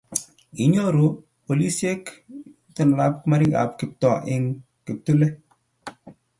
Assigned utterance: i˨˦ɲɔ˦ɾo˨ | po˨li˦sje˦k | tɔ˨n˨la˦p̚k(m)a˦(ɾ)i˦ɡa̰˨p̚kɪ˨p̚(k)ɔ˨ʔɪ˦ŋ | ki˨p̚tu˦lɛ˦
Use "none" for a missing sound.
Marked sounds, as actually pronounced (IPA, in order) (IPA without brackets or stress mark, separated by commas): m, ɾ, t